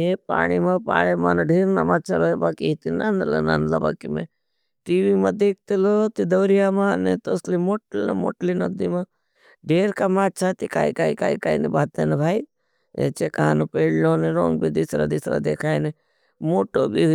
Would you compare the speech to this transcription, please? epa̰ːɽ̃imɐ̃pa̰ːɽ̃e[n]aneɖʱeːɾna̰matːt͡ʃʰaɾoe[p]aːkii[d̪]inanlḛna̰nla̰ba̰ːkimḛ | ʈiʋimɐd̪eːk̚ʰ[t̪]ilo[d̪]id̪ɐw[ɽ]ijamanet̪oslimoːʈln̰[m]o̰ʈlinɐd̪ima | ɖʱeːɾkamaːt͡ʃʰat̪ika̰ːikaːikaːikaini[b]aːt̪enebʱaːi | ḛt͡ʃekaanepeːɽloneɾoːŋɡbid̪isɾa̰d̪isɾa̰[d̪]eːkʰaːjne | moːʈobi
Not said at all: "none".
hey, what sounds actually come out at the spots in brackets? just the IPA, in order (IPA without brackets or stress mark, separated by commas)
m, b, t̪, t̪, t̪, ɾ, m, b, d̪